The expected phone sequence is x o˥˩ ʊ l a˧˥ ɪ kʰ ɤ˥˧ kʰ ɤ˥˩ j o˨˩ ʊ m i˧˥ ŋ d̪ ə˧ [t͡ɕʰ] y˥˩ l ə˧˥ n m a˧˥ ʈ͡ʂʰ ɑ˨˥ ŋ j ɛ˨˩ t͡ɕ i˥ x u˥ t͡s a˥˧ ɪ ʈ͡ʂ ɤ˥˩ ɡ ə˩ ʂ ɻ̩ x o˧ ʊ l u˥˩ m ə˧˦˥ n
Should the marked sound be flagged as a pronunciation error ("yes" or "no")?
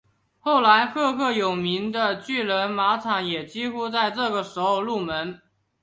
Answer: yes